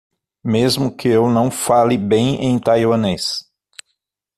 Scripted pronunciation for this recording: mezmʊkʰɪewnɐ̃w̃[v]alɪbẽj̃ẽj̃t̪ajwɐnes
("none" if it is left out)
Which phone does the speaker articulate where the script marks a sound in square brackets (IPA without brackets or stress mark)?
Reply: f